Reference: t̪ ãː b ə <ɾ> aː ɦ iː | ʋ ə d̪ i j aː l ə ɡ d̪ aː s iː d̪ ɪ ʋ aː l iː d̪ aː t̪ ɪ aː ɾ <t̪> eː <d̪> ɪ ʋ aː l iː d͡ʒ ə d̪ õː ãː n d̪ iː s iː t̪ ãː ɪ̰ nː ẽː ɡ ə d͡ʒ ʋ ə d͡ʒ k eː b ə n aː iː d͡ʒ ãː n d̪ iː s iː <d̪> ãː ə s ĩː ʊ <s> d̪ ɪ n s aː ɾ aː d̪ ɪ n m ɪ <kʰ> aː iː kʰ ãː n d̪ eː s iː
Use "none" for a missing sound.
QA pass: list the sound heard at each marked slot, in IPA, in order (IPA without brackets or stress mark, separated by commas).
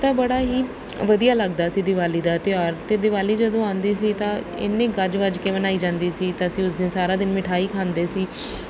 ɽ, t̪, d̪, t̪, s, ʈʰ